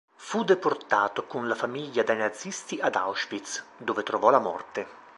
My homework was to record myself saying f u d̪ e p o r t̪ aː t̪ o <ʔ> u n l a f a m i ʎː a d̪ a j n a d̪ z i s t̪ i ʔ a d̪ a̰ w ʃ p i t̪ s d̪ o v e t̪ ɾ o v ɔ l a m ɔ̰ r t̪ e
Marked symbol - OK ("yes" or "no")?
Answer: no